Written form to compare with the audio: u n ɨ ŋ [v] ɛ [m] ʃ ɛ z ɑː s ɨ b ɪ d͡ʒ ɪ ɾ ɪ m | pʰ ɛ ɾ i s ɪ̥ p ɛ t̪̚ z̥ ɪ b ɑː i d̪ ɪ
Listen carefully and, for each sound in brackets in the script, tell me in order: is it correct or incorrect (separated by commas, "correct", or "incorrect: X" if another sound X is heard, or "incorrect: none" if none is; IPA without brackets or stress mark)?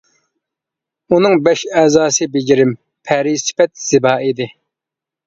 incorrect: b, incorrect: none